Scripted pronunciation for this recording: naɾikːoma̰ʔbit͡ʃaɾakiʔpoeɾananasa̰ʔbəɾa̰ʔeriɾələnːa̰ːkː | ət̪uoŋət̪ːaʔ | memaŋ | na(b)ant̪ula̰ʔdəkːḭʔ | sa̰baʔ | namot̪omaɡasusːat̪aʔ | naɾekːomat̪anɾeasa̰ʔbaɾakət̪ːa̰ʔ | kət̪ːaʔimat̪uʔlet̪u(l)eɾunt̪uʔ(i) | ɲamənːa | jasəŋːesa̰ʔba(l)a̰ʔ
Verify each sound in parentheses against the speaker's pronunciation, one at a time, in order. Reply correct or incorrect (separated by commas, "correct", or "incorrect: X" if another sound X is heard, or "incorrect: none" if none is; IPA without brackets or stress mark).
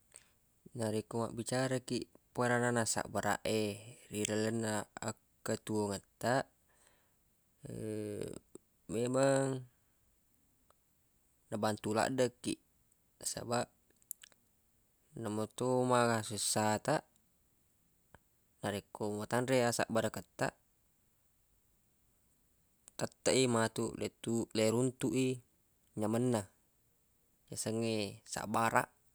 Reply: correct, correct, correct, incorrect: ɾ